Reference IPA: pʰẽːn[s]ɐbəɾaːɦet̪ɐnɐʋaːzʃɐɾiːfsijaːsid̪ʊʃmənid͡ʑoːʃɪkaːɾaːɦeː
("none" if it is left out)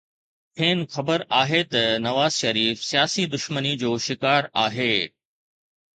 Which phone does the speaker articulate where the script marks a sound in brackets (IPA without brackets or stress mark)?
x